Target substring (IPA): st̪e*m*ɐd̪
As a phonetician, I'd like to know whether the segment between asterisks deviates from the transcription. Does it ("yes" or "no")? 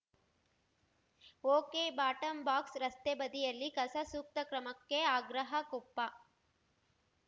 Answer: yes